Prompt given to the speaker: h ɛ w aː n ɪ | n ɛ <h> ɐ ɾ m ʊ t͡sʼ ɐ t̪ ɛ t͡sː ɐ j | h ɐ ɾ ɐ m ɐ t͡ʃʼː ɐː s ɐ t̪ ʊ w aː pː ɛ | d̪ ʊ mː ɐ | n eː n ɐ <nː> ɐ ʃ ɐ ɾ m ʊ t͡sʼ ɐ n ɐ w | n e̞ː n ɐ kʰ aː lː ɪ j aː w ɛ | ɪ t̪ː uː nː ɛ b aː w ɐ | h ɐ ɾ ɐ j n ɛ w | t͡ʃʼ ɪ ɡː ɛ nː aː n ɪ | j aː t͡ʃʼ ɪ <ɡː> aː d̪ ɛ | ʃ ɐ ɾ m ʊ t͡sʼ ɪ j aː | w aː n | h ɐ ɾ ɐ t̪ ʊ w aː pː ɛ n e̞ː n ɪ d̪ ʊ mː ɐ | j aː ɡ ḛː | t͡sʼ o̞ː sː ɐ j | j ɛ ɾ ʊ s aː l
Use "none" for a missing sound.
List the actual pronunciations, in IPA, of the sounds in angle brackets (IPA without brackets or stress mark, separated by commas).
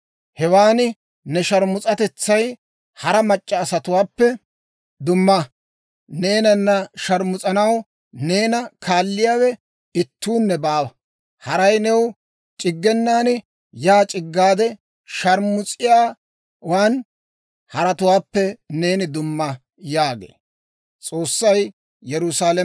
ʃ, nː, ɡː